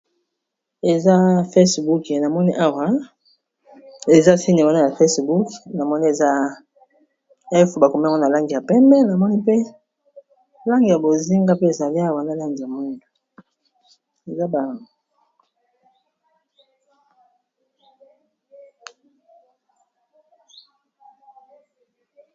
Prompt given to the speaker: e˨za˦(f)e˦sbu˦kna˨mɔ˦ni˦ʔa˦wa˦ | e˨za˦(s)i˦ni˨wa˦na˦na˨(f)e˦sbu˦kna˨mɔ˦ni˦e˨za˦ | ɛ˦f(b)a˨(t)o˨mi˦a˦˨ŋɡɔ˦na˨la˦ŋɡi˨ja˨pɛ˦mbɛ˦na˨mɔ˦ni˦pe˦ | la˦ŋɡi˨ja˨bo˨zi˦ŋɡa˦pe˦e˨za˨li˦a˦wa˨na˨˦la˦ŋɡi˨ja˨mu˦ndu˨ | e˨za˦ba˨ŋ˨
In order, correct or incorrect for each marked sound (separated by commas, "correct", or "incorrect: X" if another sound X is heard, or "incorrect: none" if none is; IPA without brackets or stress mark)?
correct, correct, correct, correct, incorrect: k